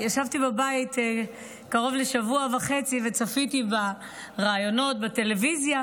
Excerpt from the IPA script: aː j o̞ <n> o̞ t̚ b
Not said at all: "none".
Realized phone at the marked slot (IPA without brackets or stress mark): n